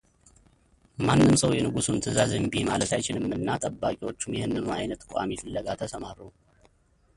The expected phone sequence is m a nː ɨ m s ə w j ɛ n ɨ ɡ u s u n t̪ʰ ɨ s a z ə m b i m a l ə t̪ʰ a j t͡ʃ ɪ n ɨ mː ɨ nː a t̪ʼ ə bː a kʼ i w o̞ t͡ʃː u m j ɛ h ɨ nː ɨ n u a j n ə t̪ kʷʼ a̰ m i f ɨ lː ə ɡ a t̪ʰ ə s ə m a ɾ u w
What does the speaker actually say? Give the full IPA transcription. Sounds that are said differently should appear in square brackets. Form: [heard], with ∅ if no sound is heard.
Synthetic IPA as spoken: m a nː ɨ m s ə w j ɛ n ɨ ɡ u s u n t̪ʰ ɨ [z] a z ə m b i m a l ə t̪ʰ a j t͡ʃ ɪ n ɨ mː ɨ nː a t̪ʼ ə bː a kʼ i w o̞ t͡ʃː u m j ɛ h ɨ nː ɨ n u a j n ə t̪ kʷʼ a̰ m i f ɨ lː ə ɡ a t̪ʰ ə s ə m a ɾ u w